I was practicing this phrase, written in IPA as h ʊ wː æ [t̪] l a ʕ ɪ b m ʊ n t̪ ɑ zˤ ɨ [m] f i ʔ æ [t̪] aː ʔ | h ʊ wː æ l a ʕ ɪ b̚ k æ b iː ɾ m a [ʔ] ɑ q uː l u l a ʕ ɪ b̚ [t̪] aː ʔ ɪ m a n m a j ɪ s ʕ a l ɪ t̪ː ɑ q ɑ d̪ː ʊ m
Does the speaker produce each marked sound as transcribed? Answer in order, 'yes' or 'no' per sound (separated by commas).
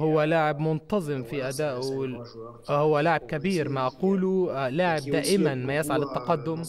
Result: no, yes, no, yes, no